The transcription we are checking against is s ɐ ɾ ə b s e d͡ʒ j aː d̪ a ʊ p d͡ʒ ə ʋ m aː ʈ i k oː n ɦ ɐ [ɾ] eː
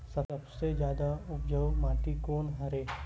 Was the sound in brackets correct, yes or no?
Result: yes